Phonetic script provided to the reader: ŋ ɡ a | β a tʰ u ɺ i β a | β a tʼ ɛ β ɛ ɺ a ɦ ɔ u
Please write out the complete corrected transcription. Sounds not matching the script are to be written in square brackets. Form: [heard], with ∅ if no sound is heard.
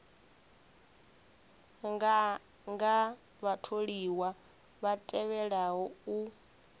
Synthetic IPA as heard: ŋ ɡ a | β a tʰ [o] ɺ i [w] a | β a tʼ ɛ β ɛ ɺ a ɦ ɔ u

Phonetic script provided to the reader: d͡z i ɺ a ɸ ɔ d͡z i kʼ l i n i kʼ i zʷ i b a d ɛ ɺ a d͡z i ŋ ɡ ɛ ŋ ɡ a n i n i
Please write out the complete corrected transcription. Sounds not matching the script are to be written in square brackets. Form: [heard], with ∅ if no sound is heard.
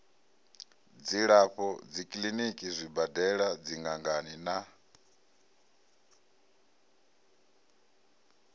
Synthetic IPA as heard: d͡z i ɺ a ɸ ɔ d͡z i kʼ l i n i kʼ i zʷ i b a d ɛ ɺ a d͡z i ŋ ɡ [a] ŋ ɡ a n i n [a]

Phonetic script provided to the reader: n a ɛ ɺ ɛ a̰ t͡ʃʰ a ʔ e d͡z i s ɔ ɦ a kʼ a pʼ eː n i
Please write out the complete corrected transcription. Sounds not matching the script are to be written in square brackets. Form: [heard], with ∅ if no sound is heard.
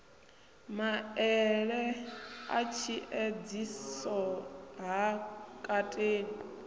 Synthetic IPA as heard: [m] a ɛ ɺ ɛ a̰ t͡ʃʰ [i] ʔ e d͡z i s ɔ ɦ a kʼ a [tʼ] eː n i

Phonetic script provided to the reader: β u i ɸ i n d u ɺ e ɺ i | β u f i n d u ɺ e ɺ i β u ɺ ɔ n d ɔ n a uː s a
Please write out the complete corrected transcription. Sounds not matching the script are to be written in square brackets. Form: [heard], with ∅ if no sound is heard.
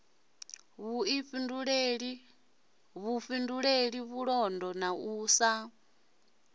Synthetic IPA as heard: β u i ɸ i n d u ɺ e ɺ i | β u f i n d u ɺ e ɺ i β u ɺ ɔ n d ɔ n a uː s a

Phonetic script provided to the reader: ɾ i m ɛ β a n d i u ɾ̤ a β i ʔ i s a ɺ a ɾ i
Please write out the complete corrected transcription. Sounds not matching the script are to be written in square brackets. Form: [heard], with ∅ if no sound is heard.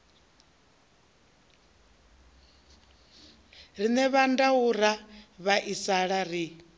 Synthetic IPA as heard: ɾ i [n] ɛ β a n d [a] u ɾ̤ a β [a] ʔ i s a ɺ a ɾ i

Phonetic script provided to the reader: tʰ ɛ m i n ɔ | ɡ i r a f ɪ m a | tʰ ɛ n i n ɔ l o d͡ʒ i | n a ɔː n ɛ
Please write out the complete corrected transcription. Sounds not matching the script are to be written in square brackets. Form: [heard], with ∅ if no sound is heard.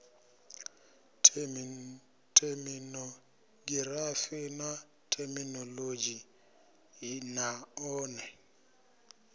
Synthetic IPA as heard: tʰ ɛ m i n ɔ | ɡ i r a f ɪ [n] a | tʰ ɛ [m] i n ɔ l o d͡ʒ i | n a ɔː n ɛ

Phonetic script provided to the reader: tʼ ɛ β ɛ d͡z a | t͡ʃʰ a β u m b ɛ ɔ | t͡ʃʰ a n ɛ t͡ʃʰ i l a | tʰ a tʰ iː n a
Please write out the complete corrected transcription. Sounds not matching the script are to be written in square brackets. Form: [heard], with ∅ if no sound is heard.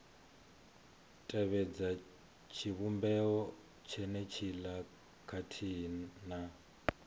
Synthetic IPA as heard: tʼ ɛ β ɛ d͡z a | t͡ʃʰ [i] β u m b ɛ ɔ | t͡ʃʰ [ɛ] n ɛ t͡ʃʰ i l a | [kʰ] a tʰ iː n a

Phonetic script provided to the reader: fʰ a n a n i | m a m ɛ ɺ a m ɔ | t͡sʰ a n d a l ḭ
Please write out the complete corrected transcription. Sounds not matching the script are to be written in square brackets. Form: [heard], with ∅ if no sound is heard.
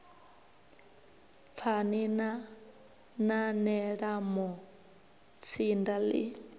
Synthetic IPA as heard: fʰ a n [i] n [a] | [n] a [n] ɛ ɺ a m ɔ | t͡sʰ [i] n d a l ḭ

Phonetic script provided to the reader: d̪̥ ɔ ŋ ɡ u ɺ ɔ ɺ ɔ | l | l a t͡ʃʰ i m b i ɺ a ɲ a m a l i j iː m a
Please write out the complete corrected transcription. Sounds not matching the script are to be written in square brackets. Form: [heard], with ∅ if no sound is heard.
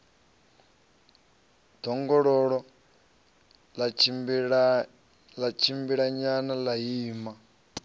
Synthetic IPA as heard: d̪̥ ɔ ŋ ɡ [ɔ] ɺ ɔ ɺ ɔ | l | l a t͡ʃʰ i m b i ɺ a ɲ a [n] a l [a] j iː m a

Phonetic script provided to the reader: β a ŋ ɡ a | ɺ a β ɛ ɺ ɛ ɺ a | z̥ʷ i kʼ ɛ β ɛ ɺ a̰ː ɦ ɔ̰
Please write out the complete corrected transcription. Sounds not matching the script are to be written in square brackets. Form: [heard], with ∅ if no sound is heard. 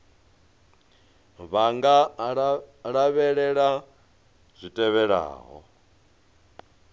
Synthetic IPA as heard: β a ŋ ɡ a | ɺ a β ɛ ɺ ɛ ɺ a | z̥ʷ i [tʼ] ɛ β ɛ ɺ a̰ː ɦ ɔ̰

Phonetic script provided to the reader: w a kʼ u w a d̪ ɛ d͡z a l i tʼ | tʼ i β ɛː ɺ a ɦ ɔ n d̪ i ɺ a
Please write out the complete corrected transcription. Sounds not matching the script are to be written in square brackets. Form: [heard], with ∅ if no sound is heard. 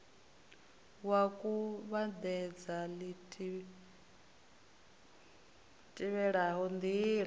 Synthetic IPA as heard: w a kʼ u [β] a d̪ ɛ d͡z a l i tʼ | tʼ i β [ɛ] ɺ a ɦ ɔ n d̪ i ɺ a

